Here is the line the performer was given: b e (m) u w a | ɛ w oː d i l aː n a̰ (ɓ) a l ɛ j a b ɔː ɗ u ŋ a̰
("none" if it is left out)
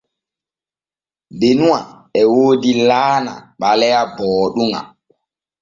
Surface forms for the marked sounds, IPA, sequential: n, ɓ

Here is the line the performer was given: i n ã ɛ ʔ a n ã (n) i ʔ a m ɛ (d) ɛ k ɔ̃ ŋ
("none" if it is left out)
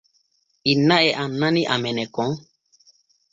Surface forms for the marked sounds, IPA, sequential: n, n

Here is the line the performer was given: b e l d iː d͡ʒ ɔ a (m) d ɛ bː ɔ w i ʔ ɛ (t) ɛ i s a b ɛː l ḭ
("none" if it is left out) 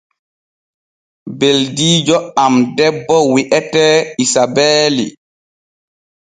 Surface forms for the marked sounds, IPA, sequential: m, t

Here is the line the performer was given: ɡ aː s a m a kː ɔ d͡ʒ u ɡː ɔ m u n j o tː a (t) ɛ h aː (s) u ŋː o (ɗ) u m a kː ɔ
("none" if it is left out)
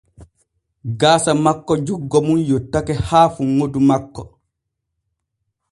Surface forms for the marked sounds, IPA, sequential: k, f, d

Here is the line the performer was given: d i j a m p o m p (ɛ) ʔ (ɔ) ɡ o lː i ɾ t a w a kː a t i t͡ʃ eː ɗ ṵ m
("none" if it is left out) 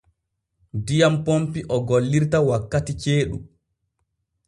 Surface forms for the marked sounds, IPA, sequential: i, ɔ

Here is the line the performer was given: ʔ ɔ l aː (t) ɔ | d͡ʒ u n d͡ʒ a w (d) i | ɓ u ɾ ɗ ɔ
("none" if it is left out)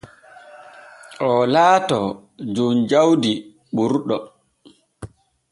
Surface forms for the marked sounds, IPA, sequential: t, d

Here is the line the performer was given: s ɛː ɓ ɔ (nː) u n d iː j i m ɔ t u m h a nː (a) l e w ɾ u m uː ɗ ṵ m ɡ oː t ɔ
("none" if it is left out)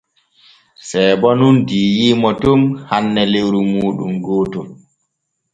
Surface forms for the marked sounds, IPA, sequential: n, ɛ

